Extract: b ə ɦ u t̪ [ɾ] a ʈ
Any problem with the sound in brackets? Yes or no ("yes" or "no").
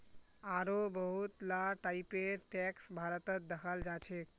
yes